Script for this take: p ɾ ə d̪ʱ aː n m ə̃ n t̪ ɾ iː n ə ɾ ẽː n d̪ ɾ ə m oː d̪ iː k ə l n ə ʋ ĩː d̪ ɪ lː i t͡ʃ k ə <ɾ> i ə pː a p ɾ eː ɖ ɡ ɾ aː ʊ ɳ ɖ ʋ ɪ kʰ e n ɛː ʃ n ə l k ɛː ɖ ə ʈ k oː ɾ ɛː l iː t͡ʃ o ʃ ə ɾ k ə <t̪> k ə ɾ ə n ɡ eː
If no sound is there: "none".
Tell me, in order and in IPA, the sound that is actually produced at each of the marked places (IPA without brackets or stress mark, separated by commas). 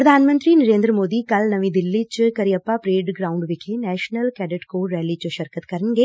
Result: ɾ, t̪